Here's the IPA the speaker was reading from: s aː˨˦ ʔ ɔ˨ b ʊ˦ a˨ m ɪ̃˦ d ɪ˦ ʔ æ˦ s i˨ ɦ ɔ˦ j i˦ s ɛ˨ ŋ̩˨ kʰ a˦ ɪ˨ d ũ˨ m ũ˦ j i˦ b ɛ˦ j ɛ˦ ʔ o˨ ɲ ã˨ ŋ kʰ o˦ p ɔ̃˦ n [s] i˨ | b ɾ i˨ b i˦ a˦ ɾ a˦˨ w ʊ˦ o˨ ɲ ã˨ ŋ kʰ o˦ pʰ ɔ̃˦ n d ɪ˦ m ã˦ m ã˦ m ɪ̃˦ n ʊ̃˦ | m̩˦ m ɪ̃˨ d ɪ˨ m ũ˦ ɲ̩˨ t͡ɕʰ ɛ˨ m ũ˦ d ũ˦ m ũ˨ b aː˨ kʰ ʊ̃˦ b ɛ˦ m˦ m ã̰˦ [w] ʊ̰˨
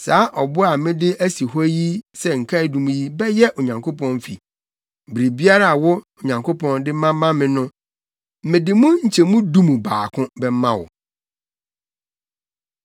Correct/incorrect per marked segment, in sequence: incorrect, correct

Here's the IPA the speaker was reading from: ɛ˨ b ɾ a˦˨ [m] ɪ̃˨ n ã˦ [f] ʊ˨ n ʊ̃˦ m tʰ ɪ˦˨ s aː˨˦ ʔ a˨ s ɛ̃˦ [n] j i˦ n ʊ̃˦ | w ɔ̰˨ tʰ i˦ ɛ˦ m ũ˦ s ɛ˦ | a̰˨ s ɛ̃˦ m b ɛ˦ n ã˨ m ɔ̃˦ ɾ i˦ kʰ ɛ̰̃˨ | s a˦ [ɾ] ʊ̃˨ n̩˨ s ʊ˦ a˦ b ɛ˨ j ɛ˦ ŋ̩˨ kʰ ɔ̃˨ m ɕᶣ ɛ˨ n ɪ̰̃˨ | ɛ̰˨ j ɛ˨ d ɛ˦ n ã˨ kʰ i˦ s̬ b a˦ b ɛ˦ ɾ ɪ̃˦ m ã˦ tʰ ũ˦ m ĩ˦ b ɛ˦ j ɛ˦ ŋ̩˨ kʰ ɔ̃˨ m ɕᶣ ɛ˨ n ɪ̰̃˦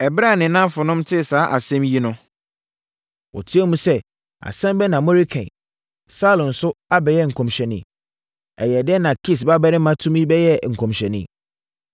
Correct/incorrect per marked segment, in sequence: incorrect, correct, incorrect, incorrect

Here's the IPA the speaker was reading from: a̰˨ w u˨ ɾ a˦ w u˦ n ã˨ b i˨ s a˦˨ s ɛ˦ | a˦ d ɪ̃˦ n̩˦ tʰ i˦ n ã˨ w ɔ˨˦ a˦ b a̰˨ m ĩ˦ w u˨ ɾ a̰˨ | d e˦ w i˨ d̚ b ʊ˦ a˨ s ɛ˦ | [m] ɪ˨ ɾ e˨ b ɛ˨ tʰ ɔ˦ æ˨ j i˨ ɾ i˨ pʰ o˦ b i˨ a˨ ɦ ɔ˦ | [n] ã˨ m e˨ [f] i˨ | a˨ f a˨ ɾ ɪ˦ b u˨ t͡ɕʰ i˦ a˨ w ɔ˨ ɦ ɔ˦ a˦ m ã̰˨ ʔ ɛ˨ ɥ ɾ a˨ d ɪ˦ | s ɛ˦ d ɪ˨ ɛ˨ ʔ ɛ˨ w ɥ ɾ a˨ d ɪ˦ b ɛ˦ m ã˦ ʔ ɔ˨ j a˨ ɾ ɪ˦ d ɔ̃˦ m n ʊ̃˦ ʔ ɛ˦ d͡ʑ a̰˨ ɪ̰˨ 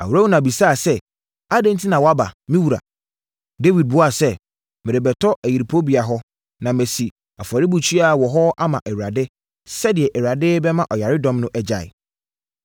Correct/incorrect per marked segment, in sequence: correct, correct, incorrect

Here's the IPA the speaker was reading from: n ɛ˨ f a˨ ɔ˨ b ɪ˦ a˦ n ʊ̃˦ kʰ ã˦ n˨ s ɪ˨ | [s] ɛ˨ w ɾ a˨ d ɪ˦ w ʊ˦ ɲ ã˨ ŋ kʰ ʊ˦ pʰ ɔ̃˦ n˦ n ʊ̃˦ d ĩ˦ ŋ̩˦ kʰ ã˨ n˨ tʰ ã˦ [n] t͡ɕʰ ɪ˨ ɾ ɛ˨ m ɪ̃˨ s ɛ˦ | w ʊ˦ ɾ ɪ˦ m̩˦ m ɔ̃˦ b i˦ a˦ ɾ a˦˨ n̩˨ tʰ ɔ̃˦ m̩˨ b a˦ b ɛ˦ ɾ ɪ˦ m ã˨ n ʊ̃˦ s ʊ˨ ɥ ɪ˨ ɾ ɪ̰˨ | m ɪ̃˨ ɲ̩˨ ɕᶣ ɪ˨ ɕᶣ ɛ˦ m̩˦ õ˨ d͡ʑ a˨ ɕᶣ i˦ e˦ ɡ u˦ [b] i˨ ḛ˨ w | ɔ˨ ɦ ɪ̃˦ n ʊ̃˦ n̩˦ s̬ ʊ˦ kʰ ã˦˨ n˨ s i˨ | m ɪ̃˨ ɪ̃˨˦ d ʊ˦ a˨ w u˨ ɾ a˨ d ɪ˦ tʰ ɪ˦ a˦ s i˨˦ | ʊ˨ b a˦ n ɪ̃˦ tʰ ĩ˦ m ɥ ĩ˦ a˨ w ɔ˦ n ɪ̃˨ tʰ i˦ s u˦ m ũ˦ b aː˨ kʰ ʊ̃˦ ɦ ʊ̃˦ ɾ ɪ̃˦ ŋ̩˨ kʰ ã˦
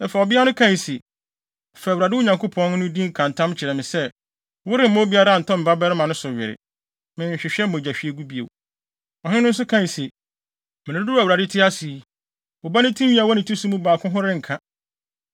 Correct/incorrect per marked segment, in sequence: incorrect, incorrect, correct

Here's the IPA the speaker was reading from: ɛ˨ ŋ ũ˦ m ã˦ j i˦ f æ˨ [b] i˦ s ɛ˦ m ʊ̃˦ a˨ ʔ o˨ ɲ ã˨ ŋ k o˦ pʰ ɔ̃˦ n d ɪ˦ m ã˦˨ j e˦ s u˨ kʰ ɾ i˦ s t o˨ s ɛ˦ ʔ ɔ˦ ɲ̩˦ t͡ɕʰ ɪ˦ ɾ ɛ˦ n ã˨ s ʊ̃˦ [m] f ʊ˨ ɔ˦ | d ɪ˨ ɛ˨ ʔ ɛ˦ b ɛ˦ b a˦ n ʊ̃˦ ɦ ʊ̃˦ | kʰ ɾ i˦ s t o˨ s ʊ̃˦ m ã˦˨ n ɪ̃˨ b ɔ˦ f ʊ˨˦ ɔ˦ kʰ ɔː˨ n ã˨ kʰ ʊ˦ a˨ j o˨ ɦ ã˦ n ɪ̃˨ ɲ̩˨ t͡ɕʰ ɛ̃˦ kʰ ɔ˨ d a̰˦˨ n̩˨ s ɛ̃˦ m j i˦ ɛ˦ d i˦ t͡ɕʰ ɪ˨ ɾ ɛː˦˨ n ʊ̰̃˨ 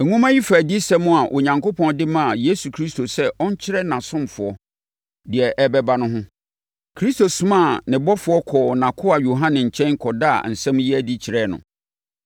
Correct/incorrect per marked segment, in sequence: incorrect, correct

